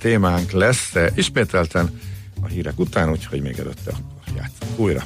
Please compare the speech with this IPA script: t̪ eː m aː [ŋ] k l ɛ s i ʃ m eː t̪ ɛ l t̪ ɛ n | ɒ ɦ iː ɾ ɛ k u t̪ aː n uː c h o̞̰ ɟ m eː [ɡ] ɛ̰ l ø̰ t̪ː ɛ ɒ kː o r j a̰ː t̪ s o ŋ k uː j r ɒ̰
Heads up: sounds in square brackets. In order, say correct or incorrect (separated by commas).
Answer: correct, correct